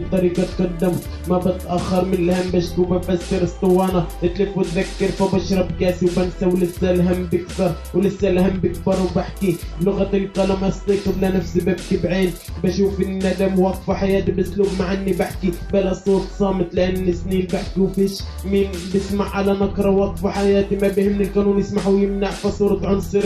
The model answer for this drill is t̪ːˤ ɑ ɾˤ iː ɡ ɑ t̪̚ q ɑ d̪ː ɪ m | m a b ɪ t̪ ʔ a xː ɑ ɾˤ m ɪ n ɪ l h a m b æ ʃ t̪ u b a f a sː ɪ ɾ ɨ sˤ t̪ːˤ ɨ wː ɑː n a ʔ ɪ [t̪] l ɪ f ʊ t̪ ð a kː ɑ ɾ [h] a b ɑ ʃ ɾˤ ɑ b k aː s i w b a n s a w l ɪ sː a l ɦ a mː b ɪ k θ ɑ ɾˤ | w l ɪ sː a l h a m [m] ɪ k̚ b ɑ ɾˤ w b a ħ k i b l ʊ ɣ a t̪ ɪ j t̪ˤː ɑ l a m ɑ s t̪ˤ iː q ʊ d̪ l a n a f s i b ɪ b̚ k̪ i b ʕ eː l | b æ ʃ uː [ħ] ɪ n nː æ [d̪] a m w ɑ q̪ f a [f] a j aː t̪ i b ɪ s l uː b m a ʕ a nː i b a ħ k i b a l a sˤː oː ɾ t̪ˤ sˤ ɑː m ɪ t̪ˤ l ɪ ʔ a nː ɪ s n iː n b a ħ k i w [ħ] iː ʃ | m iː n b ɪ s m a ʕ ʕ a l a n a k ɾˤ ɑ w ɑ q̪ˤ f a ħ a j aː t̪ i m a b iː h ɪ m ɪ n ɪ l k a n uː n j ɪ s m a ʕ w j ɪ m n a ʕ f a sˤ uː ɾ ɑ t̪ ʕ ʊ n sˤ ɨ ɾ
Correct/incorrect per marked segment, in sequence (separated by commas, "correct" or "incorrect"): correct, incorrect, incorrect, incorrect, correct, incorrect, incorrect